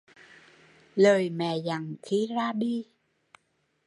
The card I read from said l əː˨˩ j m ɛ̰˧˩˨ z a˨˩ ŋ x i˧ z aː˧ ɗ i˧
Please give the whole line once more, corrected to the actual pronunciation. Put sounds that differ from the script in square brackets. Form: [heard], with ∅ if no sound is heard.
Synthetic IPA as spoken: l əː˨˩ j m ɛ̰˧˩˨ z a˨˩ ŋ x i˧ z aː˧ ɗ i˧